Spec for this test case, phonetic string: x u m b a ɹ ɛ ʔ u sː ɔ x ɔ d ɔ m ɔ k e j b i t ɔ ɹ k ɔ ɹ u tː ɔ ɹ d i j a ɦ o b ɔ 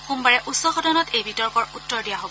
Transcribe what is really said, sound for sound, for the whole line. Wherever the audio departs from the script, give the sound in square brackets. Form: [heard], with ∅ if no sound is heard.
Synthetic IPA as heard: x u m b a ɹ ɛ ʔ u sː ɔ x ɔ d ɔ [n] ɔ [t] e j b i t ɔ ɹ k ɔ ɹ u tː ɔ ɹ d i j a ɦ o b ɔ